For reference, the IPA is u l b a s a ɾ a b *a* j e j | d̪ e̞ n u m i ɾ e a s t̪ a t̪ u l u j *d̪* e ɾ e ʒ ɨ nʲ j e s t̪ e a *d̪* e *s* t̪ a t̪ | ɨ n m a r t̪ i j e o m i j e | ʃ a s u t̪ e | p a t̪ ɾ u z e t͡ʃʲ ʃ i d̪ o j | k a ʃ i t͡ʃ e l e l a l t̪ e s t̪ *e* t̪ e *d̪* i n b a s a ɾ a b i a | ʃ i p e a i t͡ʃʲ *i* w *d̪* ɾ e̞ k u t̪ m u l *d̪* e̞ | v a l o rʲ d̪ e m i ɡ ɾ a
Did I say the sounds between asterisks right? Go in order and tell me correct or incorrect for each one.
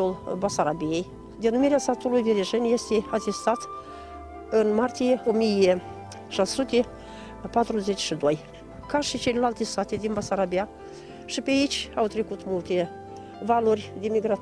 incorrect: i, correct, incorrect: t̪, correct, incorrect: a, correct, incorrect: a, incorrect: t̪, incorrect: t̪

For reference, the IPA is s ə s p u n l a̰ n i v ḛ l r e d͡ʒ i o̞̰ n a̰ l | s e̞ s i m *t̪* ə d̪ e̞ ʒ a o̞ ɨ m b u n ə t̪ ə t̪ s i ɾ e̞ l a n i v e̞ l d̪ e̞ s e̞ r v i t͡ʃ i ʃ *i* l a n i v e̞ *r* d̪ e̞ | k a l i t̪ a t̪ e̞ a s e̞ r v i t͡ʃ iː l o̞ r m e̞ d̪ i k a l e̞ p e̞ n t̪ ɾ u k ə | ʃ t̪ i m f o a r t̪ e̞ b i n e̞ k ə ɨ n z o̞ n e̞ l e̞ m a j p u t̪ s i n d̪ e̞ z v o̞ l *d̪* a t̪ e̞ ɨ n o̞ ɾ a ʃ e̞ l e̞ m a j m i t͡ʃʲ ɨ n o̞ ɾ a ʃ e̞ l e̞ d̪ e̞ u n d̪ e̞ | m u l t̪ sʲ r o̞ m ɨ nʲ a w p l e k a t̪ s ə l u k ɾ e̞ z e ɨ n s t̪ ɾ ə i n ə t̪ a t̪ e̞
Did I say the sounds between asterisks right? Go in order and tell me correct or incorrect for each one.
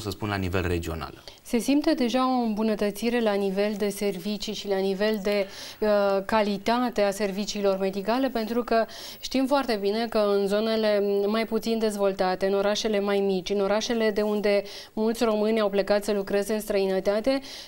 correct, correct, incorrect: l, incorrect: t̪

